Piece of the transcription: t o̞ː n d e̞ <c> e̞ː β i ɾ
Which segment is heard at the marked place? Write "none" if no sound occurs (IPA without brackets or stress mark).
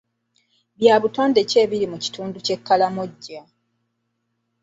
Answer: c